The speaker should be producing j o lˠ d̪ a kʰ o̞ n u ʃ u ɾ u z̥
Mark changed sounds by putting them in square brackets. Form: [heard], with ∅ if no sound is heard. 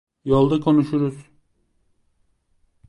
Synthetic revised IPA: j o lˠ d̪ a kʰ o̞ n u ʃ u ɾ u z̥